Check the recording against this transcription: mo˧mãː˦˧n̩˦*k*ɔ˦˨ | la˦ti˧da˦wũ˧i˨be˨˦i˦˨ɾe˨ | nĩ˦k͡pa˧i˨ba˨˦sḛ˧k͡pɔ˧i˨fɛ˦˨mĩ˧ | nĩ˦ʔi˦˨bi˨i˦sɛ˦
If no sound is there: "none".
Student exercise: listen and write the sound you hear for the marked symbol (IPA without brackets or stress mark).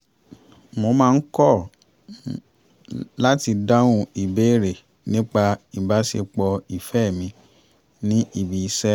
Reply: k